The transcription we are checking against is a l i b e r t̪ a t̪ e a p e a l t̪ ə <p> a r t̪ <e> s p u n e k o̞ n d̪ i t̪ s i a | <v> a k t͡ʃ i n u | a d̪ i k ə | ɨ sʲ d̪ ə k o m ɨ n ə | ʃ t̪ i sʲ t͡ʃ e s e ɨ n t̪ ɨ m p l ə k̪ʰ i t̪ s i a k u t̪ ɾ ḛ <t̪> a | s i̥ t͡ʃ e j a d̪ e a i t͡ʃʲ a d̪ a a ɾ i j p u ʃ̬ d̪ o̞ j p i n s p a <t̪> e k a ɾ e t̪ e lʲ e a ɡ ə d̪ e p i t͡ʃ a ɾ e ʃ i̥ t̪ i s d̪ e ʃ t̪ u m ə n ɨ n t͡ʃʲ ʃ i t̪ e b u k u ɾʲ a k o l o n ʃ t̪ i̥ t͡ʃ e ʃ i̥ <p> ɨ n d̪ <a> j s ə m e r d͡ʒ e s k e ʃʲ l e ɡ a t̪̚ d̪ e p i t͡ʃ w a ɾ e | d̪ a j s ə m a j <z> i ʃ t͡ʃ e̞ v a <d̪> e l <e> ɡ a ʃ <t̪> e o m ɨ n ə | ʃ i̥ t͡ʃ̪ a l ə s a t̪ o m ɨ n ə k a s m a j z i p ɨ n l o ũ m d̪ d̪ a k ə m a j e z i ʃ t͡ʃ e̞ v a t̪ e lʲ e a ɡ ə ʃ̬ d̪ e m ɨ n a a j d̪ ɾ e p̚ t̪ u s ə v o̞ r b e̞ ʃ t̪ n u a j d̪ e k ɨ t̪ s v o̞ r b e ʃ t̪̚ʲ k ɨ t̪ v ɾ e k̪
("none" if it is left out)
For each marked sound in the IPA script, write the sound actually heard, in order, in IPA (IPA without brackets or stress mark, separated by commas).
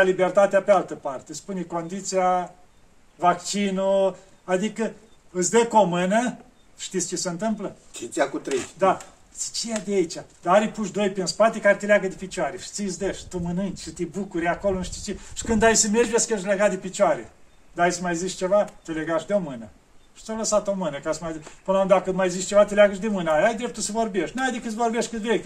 p, e, v, d̪, t̪, k, a, z, t̪, e, d̪